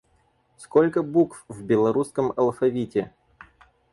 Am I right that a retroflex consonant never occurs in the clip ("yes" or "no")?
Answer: yes